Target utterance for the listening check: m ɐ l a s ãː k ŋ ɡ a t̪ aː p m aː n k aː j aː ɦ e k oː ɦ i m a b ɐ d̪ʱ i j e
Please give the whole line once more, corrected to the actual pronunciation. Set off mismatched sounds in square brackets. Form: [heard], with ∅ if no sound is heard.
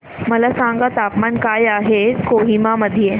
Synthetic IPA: m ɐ l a s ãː [∅] ŋ ɡ a t̪ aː p m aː n k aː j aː ɦ e k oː ɦ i m a [m] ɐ d̪ʱ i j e